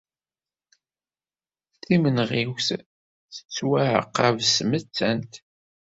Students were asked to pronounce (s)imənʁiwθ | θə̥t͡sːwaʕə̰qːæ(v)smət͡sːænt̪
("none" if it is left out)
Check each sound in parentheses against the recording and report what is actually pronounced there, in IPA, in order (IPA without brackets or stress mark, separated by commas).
θ, v